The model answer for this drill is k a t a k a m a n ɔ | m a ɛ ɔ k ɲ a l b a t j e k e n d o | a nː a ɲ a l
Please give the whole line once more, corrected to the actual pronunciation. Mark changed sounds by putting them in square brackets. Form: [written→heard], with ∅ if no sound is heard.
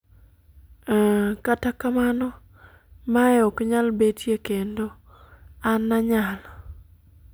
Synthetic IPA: k a t a k a m a n ɔ | m a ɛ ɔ k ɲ a l b [a→e] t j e k e n d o | a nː a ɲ a l